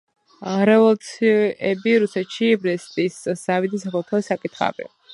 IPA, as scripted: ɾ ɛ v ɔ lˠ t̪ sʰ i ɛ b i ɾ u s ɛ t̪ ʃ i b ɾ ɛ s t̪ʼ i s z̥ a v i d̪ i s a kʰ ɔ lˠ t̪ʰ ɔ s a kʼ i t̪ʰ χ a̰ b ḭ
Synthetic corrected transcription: ɾ ɛ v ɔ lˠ t̪ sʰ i ɛ b i ɾ u s ɛ t̪ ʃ i b ɾ ɛ s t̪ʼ i s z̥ a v i d̪ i s a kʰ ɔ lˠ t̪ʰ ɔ s a kʼ i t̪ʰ χ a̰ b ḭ